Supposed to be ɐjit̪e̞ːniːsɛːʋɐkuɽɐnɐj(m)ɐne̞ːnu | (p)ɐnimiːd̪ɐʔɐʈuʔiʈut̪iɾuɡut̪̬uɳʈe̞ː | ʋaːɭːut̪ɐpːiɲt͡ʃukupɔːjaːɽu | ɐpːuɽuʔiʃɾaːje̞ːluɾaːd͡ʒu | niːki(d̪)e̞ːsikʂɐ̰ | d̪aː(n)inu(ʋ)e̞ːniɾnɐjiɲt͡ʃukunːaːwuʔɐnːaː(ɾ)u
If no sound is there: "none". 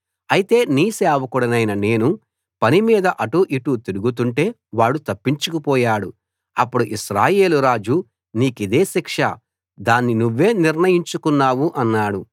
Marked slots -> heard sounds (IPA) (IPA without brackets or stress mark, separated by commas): n, p, d̪, nː, ʋː, ɽ